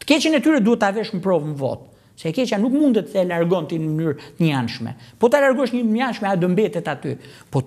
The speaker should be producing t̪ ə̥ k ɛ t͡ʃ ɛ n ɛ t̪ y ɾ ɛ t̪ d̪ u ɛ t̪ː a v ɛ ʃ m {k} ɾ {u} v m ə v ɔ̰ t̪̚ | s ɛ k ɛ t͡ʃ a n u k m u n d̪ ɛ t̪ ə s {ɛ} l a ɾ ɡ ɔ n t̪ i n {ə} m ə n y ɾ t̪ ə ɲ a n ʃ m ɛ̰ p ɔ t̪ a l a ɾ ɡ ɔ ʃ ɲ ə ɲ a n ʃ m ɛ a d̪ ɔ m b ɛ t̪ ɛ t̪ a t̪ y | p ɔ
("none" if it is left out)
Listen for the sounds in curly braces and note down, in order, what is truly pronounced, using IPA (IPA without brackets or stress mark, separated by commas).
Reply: p, ɔ, ɛ, ə